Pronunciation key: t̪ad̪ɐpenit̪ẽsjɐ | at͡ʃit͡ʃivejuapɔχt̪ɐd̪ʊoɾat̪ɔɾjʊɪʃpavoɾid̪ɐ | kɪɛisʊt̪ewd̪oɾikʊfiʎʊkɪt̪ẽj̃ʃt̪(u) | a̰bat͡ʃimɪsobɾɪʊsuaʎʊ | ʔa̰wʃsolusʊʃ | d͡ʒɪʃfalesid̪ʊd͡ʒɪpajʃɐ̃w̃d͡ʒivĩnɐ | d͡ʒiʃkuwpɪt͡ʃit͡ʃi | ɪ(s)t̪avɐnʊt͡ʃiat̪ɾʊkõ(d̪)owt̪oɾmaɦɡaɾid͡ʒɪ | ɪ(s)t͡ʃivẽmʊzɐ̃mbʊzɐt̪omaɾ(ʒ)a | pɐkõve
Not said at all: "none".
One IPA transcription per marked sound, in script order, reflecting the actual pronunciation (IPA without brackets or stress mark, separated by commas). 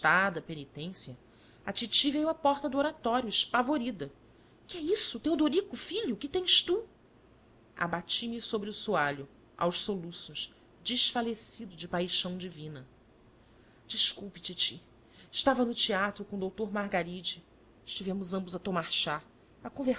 u, ʃ, d̪, ʃ, ʃ